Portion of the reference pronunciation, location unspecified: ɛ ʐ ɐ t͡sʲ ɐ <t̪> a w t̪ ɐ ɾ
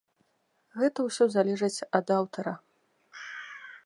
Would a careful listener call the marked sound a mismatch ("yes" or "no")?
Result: yes